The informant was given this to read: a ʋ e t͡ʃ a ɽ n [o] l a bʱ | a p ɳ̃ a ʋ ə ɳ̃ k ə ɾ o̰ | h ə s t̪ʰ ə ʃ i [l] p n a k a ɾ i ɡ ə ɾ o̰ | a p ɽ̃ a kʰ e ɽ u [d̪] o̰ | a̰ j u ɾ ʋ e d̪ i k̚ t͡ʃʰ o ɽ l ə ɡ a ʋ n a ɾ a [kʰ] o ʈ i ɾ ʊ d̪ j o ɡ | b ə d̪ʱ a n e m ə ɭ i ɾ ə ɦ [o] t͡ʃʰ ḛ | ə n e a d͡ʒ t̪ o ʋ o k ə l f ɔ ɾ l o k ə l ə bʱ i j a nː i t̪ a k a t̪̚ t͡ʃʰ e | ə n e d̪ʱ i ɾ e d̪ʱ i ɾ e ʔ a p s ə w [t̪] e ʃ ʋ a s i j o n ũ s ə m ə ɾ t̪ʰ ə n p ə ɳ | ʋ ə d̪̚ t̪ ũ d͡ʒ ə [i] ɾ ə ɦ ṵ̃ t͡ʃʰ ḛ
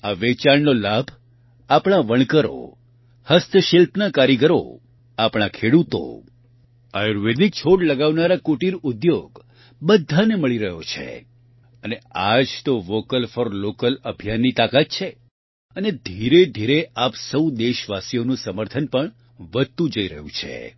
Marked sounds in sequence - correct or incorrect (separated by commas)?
correct, correct, incorrect, incorrect, correct, incorrect, correct